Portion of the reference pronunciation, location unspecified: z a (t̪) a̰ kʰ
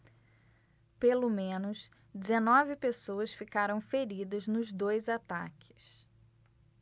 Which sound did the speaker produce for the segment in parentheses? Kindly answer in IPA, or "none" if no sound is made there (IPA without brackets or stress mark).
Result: t̪